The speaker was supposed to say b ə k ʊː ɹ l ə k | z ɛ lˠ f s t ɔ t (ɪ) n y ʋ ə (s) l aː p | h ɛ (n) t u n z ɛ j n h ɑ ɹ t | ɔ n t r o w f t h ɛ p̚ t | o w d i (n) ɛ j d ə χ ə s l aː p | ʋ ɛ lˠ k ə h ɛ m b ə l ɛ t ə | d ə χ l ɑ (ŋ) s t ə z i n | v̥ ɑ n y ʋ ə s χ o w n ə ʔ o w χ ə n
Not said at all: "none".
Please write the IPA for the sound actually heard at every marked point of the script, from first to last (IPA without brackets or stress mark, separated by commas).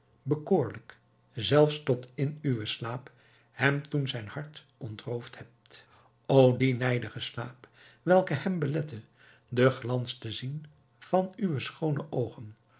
ɪ, s, m, n, n